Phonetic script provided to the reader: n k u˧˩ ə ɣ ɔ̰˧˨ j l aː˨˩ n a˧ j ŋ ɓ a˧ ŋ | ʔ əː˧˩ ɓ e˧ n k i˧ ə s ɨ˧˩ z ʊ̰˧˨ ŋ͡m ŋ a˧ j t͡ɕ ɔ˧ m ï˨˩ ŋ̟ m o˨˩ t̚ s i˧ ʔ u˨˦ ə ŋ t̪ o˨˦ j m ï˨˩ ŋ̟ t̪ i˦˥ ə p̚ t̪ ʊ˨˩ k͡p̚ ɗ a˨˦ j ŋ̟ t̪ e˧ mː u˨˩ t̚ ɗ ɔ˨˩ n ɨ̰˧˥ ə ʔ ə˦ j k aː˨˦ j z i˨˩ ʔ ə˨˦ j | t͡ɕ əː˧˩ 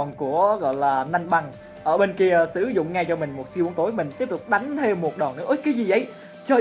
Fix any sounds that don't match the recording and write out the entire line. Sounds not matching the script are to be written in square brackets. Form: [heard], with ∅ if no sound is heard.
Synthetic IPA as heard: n k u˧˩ ə ɣ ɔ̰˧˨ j l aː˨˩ n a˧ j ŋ ɓ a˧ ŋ | ʔ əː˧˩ ɓ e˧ n k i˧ ə s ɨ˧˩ z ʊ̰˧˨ ŋ͡m ŋ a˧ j t͡ɕ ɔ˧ m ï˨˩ ŋ̟ m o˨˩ t̚ s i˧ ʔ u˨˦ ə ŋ t̪ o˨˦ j m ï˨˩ ŋ̟ t̪ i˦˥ ə p̚ t̪ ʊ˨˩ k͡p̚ ɗ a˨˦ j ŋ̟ [t̪ʰ] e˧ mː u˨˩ t̚ ɗ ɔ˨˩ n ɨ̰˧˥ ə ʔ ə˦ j k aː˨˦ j z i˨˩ ʔ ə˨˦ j | t͡ɕ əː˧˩